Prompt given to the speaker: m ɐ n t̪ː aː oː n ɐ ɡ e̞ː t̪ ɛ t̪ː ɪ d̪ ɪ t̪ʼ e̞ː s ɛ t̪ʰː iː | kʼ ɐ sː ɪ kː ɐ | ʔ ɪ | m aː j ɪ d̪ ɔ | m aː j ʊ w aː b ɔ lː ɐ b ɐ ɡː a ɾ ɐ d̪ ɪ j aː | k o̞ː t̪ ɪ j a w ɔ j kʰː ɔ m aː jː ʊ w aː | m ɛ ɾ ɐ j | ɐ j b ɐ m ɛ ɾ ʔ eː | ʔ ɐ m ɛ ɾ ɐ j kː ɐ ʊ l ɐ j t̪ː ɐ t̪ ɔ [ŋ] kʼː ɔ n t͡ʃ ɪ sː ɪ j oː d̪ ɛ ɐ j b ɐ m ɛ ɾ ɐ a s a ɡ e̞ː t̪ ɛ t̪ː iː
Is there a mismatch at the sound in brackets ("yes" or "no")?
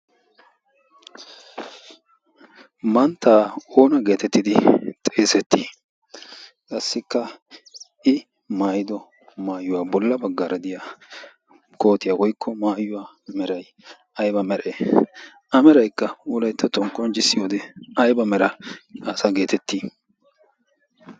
no